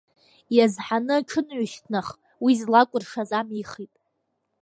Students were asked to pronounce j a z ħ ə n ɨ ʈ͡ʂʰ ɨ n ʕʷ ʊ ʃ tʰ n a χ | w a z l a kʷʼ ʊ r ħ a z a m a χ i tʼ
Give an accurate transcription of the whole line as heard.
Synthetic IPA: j a z ħ a n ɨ ʈ͡ʂʰ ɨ n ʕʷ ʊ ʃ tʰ n a χ | w i z l a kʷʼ ʊ r ʂ a z a m i χ i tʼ